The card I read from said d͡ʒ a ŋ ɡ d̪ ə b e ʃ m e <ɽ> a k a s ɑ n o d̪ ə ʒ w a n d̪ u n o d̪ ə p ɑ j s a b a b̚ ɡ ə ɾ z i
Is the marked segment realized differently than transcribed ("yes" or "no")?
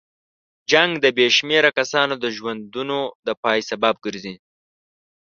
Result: yes